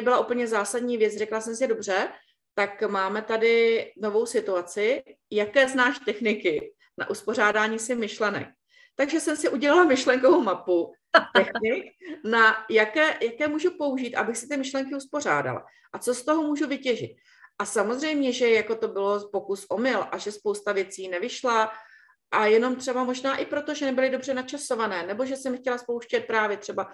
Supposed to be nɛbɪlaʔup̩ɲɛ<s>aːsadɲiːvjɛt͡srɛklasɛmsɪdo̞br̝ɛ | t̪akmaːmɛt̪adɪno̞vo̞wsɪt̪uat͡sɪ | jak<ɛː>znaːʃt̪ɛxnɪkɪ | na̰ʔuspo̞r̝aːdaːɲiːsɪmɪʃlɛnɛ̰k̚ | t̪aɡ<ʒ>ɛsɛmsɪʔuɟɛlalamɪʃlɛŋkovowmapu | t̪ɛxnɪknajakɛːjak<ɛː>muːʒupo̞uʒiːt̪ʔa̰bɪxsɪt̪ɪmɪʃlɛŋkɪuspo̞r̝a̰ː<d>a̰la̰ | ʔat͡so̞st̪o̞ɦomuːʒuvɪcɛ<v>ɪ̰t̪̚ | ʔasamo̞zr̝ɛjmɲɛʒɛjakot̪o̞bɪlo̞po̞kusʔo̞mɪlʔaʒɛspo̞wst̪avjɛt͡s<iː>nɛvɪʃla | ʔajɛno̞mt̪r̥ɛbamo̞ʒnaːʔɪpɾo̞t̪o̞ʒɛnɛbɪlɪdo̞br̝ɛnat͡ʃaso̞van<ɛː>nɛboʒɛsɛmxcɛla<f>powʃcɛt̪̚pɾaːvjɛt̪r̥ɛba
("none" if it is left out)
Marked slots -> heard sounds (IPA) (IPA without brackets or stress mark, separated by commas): z, ɛː, ʒ, ɛː, d, ʒ, iː, ɛː, s